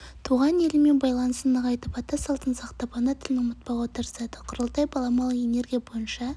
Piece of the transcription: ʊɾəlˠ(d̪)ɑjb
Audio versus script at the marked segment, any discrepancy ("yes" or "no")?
yes